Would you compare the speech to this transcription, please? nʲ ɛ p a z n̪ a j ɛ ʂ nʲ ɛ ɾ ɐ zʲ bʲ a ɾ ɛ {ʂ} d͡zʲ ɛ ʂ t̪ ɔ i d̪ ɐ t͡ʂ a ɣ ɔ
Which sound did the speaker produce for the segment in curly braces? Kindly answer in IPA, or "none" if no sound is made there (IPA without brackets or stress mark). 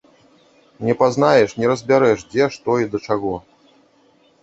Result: ʂ